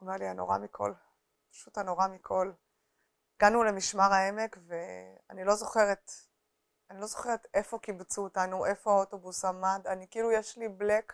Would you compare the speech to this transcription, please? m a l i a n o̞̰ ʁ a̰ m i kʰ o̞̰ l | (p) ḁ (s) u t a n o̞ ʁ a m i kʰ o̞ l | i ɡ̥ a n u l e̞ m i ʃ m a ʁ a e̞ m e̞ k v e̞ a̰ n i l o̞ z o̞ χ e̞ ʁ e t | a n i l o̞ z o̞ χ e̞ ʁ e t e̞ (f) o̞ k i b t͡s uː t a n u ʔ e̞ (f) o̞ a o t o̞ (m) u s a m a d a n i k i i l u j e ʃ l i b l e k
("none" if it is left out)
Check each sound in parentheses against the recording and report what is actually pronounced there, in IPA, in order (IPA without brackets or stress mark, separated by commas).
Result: p, ʃ, f, f, b